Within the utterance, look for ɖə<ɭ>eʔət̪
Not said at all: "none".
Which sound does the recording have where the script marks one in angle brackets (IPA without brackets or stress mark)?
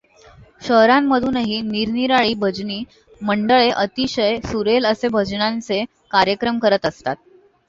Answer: ɭ